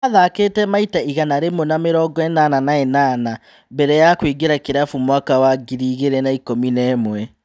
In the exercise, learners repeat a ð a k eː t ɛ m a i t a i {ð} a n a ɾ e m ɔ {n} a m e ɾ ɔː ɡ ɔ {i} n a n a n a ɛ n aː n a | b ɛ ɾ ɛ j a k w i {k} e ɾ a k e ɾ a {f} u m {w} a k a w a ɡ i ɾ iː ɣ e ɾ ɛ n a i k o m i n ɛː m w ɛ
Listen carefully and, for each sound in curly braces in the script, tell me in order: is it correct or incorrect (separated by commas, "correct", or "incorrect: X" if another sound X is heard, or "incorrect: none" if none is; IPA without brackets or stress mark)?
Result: incorrect: ɣ, correct, incorrect: ɛ, incorrect: ɡ, correct, correct